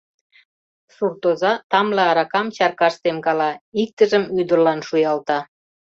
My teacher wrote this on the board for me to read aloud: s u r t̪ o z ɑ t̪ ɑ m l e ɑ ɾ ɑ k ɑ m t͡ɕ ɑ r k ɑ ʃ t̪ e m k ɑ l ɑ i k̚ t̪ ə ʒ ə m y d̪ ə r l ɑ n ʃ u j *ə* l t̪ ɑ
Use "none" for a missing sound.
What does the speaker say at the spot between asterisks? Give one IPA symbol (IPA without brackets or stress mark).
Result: ɑ